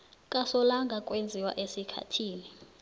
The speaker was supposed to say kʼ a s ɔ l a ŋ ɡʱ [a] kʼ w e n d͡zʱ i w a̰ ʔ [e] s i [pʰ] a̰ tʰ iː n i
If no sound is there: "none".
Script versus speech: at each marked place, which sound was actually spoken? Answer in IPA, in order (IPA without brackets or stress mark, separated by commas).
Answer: a, e, kʰ